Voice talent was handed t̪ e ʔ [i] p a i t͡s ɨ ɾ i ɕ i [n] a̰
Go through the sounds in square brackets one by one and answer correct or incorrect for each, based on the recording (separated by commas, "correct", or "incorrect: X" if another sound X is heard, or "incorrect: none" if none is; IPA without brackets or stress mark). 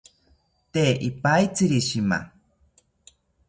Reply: correct, incorrect: m